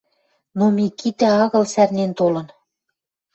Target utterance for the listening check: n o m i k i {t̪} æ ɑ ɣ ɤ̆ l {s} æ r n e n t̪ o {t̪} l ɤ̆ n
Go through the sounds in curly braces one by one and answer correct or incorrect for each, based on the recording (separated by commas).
correct, correct, incorrect